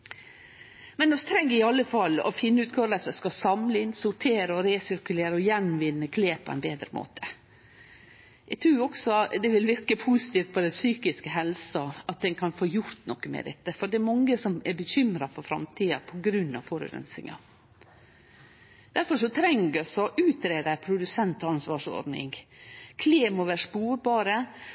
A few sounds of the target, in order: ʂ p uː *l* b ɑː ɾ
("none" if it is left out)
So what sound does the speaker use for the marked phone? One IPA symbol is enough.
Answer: ɾ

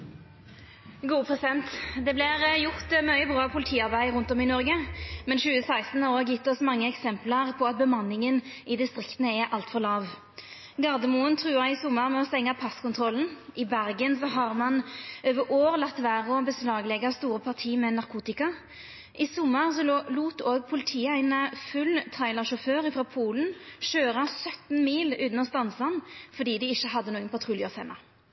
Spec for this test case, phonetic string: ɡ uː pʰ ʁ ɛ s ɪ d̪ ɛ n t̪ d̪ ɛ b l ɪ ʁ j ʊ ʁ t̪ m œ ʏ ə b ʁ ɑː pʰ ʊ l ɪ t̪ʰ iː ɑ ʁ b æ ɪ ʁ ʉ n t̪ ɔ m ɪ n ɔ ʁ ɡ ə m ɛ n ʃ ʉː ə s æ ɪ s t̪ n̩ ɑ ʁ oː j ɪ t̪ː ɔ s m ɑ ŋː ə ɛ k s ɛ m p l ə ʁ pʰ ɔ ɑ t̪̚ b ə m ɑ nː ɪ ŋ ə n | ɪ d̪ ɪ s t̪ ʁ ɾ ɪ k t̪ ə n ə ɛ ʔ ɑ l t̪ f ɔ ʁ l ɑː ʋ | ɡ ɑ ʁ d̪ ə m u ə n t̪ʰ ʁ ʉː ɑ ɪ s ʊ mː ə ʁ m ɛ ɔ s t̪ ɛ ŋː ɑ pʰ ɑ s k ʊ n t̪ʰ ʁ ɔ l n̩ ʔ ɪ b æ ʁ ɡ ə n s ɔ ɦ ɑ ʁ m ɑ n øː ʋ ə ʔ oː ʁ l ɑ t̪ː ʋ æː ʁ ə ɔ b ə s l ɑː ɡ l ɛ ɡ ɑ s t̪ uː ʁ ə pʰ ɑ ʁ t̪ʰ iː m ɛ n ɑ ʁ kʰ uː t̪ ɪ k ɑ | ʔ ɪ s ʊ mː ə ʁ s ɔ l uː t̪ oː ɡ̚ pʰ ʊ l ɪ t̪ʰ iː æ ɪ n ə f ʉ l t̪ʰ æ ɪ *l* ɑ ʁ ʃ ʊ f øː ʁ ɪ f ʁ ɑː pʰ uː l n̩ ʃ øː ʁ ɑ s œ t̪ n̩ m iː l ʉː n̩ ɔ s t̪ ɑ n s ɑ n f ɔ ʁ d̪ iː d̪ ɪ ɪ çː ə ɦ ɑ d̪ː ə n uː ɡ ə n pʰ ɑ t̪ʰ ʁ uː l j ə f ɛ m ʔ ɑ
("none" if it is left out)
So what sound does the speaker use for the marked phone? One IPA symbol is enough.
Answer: l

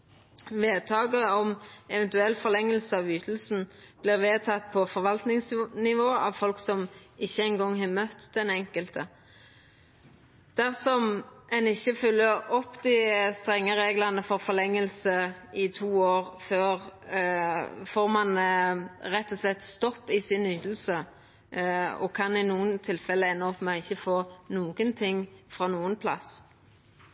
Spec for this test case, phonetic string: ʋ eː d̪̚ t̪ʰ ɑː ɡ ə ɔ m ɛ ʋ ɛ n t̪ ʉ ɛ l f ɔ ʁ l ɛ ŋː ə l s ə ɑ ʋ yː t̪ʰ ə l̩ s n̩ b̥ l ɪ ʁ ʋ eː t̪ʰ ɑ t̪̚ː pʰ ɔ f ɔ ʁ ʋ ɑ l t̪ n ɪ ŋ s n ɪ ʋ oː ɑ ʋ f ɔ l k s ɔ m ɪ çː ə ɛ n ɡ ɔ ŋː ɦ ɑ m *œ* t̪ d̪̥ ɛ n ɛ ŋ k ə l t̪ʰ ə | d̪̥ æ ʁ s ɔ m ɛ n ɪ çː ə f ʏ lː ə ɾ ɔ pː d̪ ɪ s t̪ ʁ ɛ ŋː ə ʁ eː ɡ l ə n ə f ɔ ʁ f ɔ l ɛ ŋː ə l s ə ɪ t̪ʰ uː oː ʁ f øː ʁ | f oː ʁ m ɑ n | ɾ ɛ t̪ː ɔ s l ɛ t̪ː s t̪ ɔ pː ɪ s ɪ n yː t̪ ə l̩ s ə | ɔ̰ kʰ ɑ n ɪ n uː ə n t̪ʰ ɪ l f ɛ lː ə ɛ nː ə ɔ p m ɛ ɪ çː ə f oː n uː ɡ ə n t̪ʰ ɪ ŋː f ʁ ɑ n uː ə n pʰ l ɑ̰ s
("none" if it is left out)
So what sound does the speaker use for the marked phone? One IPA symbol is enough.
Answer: œ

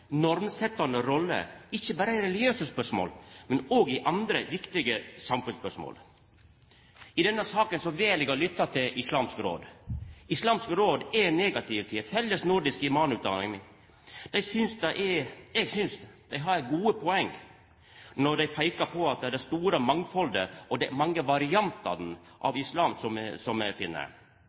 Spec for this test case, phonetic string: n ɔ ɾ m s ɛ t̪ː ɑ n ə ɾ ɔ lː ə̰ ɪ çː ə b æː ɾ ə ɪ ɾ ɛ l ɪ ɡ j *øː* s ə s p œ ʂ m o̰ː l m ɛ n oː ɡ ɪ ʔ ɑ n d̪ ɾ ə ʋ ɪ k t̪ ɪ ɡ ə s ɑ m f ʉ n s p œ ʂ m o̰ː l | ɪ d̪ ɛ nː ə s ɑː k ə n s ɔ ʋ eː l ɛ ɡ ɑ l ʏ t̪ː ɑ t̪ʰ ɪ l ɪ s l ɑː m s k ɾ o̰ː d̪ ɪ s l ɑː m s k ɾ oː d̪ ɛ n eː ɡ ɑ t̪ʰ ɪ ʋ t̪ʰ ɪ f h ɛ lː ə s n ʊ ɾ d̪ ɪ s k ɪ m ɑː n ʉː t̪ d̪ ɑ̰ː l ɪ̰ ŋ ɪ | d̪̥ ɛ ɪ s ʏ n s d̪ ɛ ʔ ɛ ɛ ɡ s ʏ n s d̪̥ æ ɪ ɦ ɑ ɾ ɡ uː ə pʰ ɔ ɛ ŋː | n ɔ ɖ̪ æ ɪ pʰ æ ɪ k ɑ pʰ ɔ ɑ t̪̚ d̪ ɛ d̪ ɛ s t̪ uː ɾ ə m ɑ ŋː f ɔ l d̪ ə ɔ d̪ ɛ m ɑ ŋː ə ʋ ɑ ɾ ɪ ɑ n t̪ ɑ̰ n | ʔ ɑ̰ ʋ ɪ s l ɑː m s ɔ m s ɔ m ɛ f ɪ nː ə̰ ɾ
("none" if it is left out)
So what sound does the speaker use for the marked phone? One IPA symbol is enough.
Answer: øː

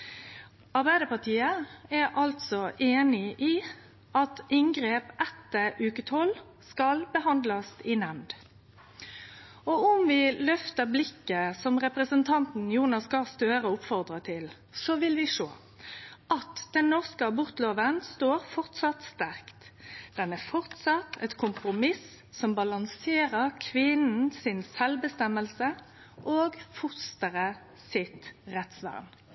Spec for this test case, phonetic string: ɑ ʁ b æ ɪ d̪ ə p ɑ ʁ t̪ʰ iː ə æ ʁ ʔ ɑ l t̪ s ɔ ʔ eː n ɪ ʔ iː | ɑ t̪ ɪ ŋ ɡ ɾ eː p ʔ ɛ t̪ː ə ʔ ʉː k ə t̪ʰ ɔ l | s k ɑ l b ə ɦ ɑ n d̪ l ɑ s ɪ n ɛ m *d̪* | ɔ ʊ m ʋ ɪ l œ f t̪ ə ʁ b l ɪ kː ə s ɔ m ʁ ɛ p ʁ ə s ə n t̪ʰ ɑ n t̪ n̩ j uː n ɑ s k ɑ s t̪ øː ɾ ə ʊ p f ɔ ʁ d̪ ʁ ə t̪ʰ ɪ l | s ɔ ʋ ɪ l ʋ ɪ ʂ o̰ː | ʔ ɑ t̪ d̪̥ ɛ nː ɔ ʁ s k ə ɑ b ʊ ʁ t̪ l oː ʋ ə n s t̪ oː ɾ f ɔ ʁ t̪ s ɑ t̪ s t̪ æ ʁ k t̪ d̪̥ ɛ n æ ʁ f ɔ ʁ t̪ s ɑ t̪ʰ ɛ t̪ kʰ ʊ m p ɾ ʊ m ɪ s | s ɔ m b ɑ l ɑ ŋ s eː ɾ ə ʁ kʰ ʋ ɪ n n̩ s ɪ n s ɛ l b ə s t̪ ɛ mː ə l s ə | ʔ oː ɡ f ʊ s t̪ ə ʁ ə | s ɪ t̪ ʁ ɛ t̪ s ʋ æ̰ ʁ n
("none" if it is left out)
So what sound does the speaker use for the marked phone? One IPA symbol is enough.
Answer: d̪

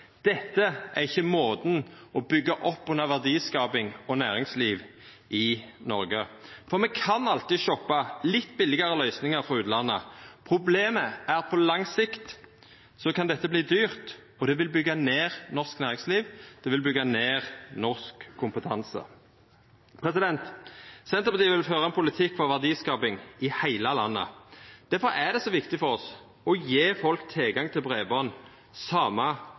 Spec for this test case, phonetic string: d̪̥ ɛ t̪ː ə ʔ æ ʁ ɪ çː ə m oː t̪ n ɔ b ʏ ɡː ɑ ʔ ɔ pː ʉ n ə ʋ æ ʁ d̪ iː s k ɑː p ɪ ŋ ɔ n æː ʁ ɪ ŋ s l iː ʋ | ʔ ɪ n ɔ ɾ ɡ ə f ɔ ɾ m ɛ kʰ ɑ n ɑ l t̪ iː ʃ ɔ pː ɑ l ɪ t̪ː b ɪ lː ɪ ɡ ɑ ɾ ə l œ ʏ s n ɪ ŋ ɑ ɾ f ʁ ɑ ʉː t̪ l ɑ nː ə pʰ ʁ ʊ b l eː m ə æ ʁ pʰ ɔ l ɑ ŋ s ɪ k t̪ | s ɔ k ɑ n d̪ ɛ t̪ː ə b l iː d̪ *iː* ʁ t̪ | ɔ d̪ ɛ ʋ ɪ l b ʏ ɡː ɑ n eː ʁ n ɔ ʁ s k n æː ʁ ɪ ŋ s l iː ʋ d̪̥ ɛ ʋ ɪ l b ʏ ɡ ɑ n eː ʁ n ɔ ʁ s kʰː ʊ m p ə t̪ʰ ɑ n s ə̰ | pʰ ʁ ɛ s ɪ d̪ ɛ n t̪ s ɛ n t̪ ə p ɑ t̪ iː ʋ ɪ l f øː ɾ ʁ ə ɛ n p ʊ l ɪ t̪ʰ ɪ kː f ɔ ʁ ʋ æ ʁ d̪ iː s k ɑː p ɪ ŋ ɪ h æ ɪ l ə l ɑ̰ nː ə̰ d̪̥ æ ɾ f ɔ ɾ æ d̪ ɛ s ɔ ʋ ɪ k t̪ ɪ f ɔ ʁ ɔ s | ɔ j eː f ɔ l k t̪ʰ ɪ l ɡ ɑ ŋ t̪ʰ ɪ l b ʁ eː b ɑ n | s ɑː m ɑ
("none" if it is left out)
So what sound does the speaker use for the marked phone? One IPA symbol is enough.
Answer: yː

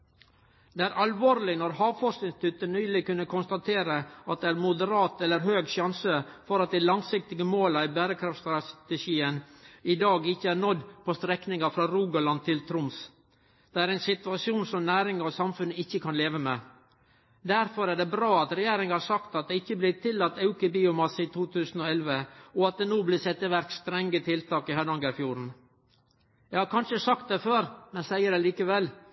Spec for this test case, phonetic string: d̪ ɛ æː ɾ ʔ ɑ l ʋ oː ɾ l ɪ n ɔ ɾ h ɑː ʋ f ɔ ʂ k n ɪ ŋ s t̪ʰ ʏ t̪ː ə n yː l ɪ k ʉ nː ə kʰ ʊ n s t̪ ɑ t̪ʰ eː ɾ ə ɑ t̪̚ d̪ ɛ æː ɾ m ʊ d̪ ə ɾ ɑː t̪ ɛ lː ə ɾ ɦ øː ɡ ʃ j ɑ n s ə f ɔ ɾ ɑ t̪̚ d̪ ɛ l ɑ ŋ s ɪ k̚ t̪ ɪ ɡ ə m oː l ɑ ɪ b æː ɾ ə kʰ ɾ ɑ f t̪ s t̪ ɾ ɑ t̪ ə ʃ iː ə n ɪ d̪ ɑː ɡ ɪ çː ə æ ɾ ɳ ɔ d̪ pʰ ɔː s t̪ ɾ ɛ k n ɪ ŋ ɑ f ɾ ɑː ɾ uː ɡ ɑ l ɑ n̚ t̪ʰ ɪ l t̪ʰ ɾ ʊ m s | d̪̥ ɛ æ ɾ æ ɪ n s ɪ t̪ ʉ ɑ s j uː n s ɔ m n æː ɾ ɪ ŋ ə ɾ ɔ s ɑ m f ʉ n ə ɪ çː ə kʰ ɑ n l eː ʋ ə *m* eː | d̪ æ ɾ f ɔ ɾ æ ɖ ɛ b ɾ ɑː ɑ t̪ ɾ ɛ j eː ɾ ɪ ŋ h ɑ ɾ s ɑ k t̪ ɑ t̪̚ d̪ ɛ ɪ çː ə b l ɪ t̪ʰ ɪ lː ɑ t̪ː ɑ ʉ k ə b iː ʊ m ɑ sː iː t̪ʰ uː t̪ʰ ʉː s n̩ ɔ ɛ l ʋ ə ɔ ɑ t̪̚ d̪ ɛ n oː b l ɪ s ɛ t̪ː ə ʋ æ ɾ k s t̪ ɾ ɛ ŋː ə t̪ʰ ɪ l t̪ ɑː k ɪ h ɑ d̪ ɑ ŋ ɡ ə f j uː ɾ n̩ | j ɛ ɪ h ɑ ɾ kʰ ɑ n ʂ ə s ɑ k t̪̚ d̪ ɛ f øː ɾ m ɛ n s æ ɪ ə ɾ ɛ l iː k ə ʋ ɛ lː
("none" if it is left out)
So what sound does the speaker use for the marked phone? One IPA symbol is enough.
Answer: m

